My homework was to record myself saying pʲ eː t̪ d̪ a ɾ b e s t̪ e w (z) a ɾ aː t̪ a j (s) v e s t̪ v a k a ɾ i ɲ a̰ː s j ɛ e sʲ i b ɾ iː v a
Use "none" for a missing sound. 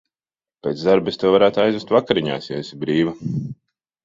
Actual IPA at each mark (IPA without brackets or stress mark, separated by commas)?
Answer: v, z